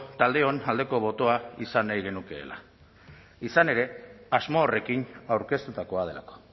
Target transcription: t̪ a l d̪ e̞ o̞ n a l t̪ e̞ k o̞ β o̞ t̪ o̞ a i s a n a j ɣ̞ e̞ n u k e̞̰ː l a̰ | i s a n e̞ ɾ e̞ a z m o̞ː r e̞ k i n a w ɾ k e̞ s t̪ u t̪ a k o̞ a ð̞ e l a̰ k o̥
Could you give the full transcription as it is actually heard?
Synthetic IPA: t̪ a l d̪ e̞ o̞ n a l d̪ e̞ k o̞ β o̞ t̪ o̞ a i s a n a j ɣ̞ e̞ n u k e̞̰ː l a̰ | i s a n e̞ ɾ e̞ a z m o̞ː r e̞ k i n a w ɾ k e̞ s t̪ u t̪ a k o̞ a ð̞ e l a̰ k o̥